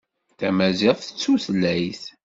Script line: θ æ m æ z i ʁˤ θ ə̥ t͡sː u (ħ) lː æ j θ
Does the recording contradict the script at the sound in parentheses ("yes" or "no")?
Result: yes